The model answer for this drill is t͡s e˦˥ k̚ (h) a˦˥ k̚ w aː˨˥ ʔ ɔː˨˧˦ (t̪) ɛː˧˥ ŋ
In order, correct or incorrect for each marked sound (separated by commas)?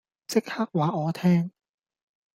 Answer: correct, incorrect